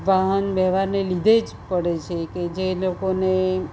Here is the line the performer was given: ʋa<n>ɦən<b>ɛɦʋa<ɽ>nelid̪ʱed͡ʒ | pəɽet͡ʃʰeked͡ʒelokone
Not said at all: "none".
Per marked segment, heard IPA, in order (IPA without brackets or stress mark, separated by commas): none, b, ɾ